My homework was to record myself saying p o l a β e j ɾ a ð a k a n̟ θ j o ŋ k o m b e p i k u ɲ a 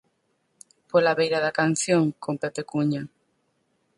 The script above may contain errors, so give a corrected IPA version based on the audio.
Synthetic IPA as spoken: p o l a β e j ɾ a ð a k a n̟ θ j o ŋ k o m p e p e k u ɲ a